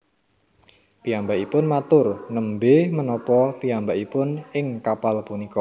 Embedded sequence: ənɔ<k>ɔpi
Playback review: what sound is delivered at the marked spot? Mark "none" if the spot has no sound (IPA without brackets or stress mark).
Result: p